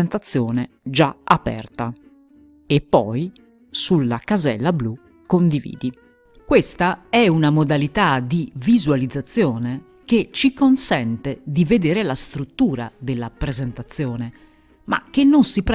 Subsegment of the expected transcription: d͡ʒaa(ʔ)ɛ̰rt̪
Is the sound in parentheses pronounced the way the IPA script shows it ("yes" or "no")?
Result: no